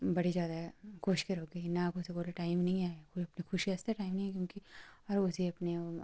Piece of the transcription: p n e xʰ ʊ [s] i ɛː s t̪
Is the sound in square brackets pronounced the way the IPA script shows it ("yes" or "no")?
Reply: no